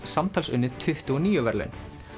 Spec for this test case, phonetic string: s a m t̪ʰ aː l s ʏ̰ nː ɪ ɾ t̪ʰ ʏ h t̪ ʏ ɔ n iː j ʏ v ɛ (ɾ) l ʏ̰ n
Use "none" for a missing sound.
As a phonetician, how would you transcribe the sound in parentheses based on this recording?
ɾ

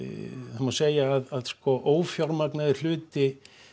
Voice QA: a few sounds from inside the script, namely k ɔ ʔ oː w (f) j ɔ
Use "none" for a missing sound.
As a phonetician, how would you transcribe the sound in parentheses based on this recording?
f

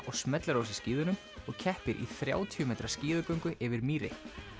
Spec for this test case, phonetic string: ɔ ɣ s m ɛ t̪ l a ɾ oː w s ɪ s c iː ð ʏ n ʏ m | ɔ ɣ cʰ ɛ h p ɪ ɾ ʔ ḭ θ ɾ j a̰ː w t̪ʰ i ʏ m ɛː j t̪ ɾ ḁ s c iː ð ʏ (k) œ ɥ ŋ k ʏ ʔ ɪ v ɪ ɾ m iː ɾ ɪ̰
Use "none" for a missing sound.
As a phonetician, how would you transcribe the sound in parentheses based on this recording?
k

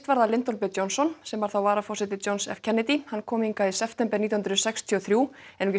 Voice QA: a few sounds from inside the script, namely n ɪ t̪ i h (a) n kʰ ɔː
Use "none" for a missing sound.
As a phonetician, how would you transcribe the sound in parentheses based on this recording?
a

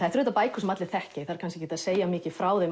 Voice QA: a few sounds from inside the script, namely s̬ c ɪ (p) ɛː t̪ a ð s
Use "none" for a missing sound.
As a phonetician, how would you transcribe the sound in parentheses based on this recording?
c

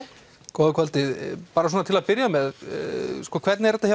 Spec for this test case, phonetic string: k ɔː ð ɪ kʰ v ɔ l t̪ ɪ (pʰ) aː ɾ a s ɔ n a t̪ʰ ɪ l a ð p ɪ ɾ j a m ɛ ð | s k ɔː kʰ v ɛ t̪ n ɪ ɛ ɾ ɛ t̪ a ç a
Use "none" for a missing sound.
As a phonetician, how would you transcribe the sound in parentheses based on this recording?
p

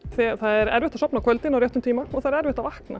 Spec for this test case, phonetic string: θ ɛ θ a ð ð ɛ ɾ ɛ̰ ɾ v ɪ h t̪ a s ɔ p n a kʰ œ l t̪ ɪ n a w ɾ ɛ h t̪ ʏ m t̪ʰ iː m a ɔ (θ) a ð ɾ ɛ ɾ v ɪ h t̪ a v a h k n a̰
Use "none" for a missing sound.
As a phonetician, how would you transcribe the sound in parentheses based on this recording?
θ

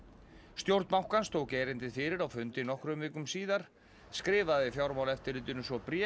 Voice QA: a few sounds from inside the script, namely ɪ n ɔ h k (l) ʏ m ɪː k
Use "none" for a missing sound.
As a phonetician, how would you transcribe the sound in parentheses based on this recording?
ɾ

